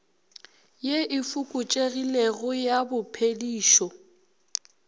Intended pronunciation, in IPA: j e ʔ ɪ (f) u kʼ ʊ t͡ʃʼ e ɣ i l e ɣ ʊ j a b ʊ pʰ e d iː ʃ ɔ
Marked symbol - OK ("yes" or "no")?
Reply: yes